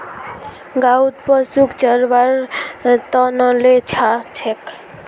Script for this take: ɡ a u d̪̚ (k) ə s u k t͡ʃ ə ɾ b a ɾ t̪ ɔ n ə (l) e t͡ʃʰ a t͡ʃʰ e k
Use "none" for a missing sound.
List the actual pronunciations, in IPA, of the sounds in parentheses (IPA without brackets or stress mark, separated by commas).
p, l